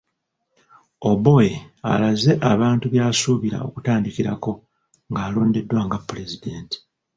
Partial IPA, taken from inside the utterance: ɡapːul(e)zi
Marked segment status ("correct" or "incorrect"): correct